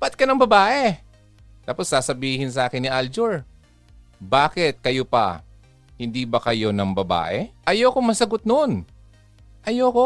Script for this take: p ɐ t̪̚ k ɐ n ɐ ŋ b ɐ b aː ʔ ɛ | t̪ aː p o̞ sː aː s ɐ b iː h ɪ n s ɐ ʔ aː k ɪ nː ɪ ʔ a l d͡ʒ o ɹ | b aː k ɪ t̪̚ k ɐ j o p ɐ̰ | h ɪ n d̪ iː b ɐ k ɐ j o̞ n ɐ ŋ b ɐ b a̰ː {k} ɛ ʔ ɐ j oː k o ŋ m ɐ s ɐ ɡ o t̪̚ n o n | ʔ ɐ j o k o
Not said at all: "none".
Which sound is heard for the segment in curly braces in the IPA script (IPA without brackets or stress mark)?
ʔ